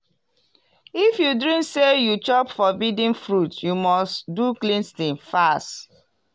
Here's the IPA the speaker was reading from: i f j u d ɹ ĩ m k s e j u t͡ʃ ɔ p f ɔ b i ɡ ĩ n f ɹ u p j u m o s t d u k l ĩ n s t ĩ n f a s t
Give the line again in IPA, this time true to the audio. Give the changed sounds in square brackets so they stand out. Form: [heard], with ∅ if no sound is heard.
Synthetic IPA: i f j u d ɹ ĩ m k s e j u t͡ʃ ɔ p f ɔ b i [d] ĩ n f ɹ u [t] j u m [ɔ] s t d u k l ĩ n s t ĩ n f a s t